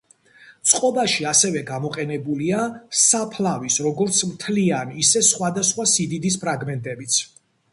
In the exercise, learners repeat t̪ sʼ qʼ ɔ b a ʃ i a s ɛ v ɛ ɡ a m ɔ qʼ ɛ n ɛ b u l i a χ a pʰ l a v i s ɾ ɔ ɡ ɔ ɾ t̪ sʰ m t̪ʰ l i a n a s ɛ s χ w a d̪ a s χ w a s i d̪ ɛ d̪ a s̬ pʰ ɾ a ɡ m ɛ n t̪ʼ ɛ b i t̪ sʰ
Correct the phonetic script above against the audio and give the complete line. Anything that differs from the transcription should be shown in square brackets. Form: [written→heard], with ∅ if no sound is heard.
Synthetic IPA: t̪ sʼ qʼ ɔ b a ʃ i a s ɛ v ɛ ɡ a m ɔ qʼ ɛ n ɛ b u l i a [χ→s] a pʰ l a v i s ɾ ɔ ɡ ɔ ɾ t̪ sʰ m t̪ʰ l i a n [a→i] s ɛ s χ w a d̪ a s χ w a s i d̪ [ɛ→i] d̪ [a→i] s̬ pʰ ɾ a ɡ m ɛ n t̪ʼ ɛ b i t̪ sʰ

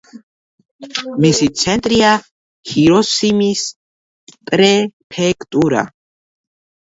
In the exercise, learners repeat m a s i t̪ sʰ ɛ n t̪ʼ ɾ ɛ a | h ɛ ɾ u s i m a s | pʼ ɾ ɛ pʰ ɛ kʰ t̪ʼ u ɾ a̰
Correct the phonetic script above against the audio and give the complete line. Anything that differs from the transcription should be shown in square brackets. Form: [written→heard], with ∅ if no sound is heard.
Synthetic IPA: m [a→i] s i t̪ sʰ ɛ n t̪ʼ ɾ [ɛ→i] a | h [ɛ→i] ɾ [u→ɔ] s i m [a→i] s | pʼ ɾ ɛ pʰ ɛ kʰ t̪ʼ u ɾ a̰

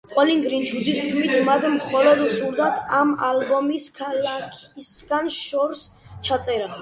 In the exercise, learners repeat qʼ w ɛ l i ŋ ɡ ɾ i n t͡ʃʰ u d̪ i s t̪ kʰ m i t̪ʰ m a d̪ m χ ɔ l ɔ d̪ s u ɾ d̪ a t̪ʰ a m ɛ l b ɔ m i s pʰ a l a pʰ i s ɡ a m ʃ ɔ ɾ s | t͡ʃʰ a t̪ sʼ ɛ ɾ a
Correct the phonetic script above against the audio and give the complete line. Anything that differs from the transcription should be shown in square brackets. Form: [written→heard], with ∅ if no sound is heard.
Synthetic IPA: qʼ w ɛ l i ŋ ɡ ɾ i n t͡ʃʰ u d̪ i s t̪ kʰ m i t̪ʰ m a d̪ m χ ɔ l ɔ d̪ s u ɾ d̪ a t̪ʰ a m [ɛ→a] l b ɔ m i s [pʰ→kʰ] a l a [pʰ→kʰ] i s ɡ a [m→n] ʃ ɔ ɾ s | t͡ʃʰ a t̪ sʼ ɛ ɾ a

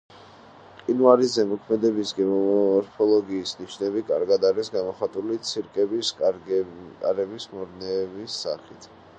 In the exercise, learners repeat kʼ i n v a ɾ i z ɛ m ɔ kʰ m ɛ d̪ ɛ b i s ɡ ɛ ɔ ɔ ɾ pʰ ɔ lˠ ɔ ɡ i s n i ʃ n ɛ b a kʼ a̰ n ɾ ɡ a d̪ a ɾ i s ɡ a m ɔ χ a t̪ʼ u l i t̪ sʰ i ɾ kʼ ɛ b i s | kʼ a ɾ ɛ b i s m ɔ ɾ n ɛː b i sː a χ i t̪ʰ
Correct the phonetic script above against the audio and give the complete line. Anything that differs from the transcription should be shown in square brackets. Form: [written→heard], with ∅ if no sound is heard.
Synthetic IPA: [kʼ→qʼ] i n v a ɾ i z ɛ m ɔ kʰ m ɛ d̪ ɛ b i s ɡ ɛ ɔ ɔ ɾ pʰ ɔ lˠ ɔ ɡ [i→iː] s n i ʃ n ɛ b [a→i] kʼ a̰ [n→∅] ɾ ɡ a d̪ a ɾ i s ɡ a m ɔ χ a t̪ʼ u l i t̪ sʰ i ɾ kʼ ɛ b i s | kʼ a ɾ ɛ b i s m ɔ ɾ n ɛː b i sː a χ i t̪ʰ

